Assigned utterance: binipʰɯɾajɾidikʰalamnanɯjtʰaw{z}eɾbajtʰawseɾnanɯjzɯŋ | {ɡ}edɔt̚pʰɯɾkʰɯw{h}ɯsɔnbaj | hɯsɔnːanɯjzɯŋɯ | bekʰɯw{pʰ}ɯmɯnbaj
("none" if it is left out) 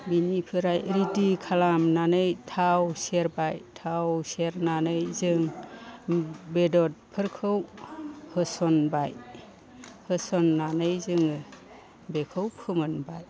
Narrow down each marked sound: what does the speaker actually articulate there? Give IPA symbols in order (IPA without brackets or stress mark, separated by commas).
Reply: s, b, h, pʰ